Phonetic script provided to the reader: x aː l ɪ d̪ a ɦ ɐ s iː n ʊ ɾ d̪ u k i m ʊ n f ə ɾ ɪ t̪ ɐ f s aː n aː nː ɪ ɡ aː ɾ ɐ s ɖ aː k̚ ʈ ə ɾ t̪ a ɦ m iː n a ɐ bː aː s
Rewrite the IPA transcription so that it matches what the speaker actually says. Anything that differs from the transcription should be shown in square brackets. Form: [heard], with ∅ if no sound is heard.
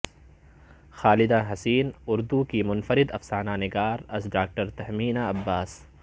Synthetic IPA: x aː l ɪ d̪ a ɦ ɐ s iː n ʊ ɾ d̪ u k i m ʊ n f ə ɾ ɪ [d̪] ɐ f s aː n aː [n] ɪ ɡ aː ɾ ɐ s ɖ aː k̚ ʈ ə ɾ t̪ [ɐ] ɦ m iː n a ɐ bː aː s